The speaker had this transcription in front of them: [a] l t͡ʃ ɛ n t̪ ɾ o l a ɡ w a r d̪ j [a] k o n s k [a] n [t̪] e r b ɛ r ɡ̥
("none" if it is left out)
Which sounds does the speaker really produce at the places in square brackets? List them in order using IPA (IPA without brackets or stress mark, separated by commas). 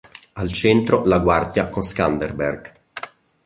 a, a, a, d̪